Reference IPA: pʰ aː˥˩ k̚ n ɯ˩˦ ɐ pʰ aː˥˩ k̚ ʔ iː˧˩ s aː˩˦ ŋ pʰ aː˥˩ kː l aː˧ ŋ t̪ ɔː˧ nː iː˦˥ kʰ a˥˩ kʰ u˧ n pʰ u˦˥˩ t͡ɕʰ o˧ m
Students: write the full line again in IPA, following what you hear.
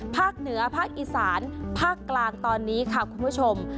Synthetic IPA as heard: pʰ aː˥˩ k̚ n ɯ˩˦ ɐ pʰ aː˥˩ k̚ ʔ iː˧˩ s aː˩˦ n pʰ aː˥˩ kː l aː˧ ŋ t̪ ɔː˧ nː iː˦˥ kʰ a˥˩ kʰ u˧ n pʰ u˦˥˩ t͡ɕʰ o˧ m